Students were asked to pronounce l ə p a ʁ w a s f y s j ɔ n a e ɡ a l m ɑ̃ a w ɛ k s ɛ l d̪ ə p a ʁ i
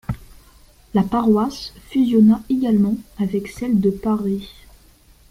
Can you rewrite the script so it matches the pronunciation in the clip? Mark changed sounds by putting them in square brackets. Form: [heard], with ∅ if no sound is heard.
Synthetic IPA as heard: l [a] p a ʁ w a s f y [z] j ɔ n a e ɡ a l m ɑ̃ a [v] ɛ k s ɛ l d̪ ə p a ʁ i